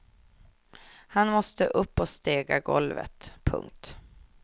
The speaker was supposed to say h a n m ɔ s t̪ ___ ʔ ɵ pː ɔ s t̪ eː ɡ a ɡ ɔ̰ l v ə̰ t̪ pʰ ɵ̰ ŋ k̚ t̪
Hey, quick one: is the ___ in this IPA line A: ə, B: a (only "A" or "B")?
A